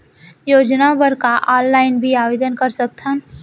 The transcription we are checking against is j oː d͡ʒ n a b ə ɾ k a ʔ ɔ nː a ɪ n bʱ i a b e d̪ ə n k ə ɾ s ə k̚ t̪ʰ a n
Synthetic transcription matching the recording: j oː d͡ʒ n a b ə ɾ k a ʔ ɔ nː a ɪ n bʱ i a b e d̪ ə n k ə ɾ s ə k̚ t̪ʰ ə n